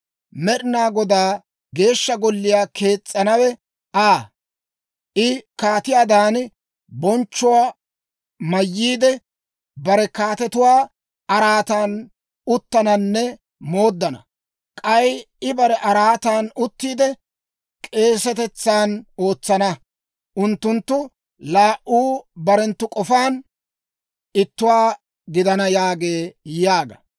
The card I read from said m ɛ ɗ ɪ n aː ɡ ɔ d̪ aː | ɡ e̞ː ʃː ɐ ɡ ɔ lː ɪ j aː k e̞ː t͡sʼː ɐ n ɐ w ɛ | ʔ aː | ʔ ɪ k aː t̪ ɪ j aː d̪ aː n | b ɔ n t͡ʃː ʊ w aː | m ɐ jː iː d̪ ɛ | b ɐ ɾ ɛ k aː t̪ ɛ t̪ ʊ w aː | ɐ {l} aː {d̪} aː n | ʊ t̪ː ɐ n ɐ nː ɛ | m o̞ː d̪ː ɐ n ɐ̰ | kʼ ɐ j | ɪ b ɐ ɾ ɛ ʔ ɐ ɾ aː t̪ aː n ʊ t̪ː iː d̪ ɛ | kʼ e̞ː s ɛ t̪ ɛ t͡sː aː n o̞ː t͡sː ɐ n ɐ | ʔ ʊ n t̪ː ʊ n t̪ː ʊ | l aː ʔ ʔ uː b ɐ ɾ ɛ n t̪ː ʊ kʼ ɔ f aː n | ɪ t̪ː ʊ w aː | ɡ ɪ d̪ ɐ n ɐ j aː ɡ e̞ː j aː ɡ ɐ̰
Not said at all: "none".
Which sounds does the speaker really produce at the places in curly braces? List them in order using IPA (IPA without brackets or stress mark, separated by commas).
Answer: ɾ, t̪